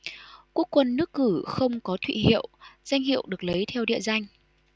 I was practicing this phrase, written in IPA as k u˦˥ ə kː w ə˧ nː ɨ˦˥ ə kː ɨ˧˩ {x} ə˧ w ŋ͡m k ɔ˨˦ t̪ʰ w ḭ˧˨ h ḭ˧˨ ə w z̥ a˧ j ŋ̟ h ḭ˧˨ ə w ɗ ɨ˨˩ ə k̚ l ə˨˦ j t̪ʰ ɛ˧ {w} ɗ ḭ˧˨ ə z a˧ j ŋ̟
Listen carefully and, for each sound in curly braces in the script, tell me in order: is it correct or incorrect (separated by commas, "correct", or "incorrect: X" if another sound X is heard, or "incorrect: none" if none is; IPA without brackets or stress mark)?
correct, correct